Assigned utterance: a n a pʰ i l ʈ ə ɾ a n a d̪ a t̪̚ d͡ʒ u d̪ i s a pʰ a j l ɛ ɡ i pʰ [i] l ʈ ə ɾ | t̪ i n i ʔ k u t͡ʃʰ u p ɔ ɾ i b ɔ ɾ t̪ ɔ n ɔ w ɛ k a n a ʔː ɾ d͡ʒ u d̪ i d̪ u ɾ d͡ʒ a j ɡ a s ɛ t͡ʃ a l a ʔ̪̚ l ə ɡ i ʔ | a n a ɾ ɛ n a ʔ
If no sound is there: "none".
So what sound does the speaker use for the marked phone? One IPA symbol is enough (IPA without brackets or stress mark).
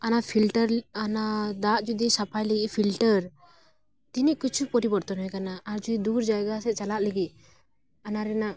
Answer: i